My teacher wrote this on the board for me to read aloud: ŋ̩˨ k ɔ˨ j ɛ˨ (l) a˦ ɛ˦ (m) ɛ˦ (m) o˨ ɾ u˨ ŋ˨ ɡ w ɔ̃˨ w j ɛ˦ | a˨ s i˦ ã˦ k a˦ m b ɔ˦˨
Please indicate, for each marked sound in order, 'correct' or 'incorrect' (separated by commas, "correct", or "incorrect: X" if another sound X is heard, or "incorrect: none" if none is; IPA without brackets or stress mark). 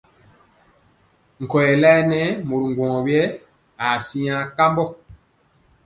correct, incorrect: n, correct